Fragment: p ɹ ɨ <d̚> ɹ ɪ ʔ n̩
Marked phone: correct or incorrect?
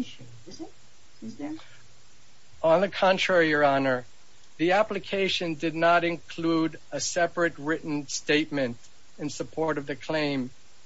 incorrect: t̚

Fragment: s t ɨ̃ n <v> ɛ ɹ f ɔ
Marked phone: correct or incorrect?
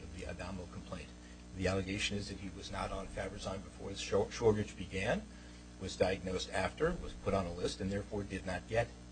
incorrect: ð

